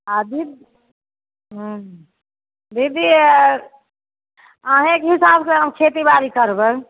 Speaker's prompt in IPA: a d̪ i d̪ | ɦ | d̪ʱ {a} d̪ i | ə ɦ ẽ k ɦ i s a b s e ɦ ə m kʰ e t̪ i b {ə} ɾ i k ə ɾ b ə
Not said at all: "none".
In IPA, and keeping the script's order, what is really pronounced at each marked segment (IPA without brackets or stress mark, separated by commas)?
i, a